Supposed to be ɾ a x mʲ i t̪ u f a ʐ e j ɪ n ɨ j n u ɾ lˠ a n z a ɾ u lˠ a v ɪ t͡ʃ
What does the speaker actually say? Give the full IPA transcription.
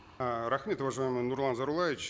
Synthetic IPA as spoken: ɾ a x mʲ e t̪ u v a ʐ a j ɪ m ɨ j n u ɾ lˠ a n z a ɾ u lˠ a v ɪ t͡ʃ